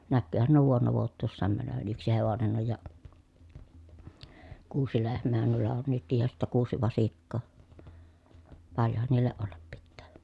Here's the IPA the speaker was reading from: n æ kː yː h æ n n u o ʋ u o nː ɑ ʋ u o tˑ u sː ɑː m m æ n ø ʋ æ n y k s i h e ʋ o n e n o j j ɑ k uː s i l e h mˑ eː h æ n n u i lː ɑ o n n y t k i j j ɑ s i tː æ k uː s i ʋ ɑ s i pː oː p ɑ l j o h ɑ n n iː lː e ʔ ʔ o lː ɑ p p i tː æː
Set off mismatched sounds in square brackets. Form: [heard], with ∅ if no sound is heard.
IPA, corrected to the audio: n æ kː yː h æ n n u o ʋ u o nː ɑ ʋ u o tˑ [uː] sː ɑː m m æ n ø ʋ æ n y k s i h e ʋ o n e n o j j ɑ k uː s i l e h mˑ eː h æ n n u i lː ɑ o n n y t k i j j ɑ s i tː æ k uː s i ʋ ɑ s i [kː] oː p ɑ l j o h ɑ n n iː lː e ʔ ʔ o lː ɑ p p i tː æː